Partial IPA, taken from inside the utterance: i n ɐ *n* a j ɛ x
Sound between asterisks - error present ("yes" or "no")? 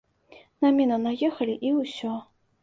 no